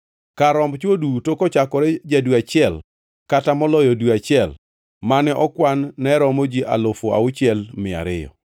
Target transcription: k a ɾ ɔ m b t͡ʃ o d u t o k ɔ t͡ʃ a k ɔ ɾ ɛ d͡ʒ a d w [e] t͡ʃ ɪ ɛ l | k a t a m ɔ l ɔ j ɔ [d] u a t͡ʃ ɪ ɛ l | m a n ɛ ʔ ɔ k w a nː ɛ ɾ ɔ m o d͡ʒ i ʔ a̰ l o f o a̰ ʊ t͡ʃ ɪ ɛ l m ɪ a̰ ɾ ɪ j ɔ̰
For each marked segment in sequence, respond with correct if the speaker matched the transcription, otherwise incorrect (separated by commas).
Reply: incorrect, correct